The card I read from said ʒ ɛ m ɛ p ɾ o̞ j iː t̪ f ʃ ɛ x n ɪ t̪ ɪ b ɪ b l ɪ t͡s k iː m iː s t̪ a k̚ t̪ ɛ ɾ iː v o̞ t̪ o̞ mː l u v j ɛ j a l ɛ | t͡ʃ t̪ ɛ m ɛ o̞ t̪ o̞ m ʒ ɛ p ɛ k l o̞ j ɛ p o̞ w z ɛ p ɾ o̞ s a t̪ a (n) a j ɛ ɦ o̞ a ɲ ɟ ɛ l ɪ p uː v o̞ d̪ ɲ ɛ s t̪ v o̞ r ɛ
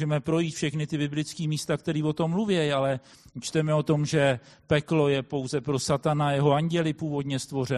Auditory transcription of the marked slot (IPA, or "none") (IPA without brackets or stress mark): n